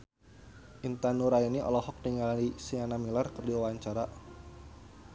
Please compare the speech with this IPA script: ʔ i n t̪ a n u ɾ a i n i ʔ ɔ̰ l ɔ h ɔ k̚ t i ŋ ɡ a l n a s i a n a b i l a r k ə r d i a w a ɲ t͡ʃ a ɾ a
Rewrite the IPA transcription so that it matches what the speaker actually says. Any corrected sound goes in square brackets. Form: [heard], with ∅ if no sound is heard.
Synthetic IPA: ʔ i n t̪ a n u ɾ a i n i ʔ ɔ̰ l ɔ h ɔ k̚ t i ŋ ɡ a l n [i] s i a n a [m] i l a r k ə r d i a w a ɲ t͡ʃ a ɾ a